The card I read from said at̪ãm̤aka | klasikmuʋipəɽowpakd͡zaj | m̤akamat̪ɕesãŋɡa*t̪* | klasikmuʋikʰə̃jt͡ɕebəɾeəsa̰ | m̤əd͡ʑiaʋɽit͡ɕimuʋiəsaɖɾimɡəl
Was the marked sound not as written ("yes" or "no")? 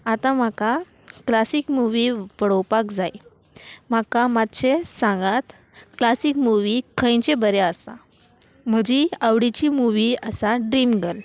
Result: no